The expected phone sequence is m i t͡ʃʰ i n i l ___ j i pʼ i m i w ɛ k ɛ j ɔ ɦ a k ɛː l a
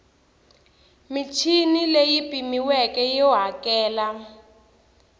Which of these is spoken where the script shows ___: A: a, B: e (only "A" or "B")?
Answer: B